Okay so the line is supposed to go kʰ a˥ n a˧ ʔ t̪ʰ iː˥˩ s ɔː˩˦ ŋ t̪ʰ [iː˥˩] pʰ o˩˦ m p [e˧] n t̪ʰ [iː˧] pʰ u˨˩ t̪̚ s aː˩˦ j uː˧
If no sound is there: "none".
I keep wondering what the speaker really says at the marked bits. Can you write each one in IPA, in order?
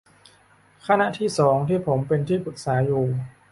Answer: iː˥˩, e˧, iː˥˩

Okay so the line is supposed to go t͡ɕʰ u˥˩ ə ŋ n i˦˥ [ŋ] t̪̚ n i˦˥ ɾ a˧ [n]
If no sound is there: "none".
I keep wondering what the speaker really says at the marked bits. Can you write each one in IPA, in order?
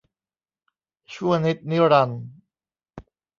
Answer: none, n

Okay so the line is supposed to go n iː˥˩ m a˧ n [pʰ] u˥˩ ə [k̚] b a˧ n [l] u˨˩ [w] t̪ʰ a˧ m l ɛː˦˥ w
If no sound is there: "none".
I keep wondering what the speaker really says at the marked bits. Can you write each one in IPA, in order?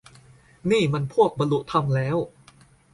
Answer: pʰ, k̚, l, none

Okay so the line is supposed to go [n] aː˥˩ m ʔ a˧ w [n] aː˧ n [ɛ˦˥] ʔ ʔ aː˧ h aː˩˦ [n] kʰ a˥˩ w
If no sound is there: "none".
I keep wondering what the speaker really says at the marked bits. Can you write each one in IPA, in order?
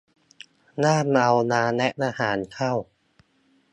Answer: n, n, ɛ˦˥, n

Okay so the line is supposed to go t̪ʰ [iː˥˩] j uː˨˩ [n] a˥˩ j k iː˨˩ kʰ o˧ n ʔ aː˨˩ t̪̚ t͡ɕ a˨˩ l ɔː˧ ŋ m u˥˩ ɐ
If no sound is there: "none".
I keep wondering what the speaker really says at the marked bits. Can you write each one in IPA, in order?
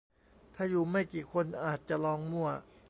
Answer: aː˥˩, m

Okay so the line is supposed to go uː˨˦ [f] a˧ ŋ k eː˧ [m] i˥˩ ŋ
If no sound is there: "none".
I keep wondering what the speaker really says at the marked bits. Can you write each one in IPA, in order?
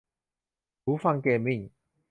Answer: f, m

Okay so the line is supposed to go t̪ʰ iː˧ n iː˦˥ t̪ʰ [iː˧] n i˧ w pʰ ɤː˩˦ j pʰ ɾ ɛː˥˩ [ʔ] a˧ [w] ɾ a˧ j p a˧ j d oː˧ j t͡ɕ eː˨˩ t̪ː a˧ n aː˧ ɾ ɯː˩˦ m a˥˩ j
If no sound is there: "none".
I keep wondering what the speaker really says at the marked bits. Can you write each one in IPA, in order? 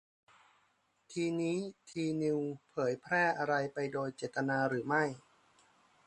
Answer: iː˧, ʔ, none

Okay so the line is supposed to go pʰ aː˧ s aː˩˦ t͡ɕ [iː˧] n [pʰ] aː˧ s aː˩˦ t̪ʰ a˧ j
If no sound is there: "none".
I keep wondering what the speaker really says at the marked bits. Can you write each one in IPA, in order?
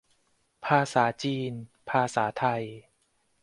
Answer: iː˧, pʰ

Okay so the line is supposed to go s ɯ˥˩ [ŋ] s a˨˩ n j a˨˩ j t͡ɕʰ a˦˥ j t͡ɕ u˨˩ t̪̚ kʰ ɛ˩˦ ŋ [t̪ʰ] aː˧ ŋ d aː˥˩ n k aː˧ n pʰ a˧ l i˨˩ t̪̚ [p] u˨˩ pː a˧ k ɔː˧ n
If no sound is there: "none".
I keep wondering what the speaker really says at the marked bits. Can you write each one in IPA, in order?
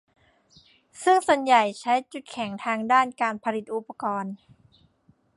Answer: ŋ, t̪ʰ, ʔ

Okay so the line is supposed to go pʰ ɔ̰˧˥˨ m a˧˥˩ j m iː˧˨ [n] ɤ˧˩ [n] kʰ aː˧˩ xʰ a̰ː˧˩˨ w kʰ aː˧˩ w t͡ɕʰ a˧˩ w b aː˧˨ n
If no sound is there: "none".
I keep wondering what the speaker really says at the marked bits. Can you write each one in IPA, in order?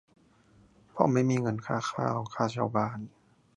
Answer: ŋ, n

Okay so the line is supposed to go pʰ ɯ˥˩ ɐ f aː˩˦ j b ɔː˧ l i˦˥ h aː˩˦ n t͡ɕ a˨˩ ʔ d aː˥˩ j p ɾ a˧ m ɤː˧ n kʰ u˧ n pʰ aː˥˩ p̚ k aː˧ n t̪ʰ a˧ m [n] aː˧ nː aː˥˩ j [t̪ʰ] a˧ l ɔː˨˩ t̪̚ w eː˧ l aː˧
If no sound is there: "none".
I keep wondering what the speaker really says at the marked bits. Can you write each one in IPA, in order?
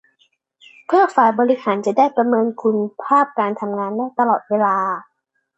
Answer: ŋ, t̪

